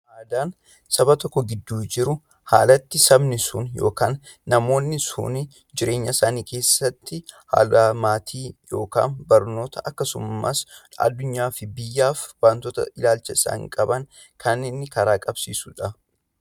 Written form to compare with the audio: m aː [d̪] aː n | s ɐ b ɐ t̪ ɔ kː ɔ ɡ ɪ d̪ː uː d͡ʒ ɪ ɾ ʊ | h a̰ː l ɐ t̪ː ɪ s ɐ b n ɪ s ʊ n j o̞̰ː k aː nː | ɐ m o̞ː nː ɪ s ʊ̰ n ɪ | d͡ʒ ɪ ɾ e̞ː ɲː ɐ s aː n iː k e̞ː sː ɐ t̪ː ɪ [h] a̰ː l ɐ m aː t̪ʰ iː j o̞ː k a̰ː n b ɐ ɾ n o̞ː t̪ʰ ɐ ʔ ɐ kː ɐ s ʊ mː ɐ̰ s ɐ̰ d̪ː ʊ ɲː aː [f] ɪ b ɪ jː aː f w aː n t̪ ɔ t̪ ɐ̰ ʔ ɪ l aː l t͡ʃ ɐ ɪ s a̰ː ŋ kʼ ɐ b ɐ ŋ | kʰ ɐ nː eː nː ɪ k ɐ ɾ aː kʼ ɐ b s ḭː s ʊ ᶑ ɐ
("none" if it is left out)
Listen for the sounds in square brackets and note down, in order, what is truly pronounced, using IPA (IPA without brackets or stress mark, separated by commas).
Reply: d̪, h, f